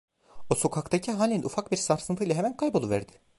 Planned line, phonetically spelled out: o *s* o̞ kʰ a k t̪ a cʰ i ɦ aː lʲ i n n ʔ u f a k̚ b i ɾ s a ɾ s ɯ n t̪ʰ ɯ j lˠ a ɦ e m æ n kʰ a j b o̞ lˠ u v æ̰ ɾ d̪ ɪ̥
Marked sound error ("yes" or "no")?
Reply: no